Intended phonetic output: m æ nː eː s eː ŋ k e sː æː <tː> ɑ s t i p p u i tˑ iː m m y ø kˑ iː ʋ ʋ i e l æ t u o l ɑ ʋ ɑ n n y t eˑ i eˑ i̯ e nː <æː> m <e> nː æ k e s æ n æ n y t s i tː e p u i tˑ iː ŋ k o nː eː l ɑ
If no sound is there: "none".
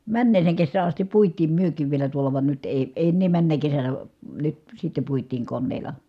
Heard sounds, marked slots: none, eː, æ

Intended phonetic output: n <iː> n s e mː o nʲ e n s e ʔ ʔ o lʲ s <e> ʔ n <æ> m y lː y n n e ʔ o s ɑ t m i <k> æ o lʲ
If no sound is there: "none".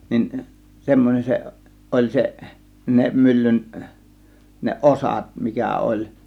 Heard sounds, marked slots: i, e, e, k

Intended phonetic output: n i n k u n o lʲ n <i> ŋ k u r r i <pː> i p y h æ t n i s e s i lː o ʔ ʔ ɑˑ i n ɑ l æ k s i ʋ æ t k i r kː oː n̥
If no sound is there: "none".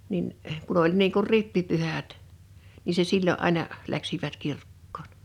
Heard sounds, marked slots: iː, pː

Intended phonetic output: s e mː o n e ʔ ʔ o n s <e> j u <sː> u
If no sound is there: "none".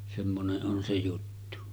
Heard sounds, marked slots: e, tː

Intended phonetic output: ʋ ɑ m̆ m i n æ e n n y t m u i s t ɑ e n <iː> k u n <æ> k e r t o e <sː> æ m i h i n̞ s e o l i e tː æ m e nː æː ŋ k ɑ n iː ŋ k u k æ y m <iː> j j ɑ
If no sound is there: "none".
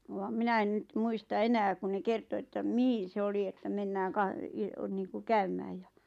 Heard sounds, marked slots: æː, e, tː, æː

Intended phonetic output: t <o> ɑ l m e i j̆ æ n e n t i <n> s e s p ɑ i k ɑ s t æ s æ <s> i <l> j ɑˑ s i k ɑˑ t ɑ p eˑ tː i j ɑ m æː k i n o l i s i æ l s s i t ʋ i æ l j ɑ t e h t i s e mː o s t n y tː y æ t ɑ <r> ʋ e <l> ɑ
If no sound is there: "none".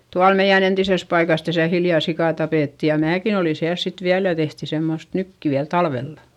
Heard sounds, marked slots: u, none, h, l, l, lː

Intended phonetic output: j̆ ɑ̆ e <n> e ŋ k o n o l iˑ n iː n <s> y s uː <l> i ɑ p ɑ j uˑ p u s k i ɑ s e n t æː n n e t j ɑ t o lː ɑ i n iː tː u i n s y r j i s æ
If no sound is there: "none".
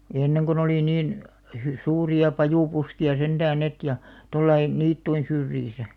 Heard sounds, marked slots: nː, h, r

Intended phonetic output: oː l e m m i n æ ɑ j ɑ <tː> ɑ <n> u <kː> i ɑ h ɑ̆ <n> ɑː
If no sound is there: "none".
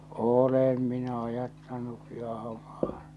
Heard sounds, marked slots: tː, n, kː, m

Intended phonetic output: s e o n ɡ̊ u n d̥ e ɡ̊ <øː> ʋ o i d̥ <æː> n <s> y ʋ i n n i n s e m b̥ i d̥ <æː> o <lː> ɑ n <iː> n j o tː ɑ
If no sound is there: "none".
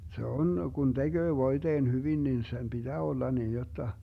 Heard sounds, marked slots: øː, eː, h, æː, lː, iː

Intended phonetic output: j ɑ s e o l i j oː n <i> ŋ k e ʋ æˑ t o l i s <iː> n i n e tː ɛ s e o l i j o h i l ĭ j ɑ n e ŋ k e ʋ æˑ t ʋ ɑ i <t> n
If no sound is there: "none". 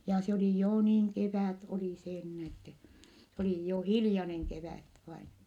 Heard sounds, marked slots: iː, eː, none

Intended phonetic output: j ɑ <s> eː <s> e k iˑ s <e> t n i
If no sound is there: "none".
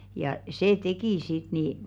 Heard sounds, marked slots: s, t, i

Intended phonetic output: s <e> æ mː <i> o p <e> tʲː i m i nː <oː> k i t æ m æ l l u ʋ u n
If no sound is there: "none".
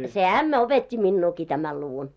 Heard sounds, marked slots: e, æ, e, uː

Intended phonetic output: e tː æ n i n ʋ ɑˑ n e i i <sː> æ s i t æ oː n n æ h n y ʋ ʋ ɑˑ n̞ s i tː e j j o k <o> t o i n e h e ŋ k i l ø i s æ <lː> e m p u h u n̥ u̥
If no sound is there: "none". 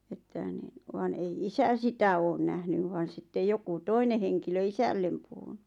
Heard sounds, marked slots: s, u, lː

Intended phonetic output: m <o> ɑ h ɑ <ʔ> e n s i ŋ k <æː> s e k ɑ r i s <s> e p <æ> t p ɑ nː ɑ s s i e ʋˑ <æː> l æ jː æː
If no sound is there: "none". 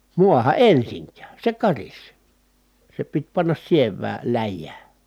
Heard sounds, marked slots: u, ʔ, æː, s, i, æː

